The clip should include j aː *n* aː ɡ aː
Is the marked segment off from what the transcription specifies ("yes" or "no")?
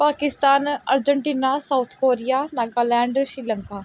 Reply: no